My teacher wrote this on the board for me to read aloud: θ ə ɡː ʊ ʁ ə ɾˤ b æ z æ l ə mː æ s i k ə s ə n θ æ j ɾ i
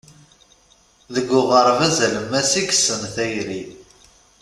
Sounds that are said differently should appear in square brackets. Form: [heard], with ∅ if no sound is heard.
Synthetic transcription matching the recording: [ð] ə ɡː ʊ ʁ ə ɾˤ [v] æ z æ l ə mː æ s i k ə s ə n θ æ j ɾ i